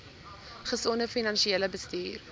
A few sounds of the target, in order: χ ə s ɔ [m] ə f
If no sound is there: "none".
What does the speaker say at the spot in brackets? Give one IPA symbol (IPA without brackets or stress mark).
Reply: n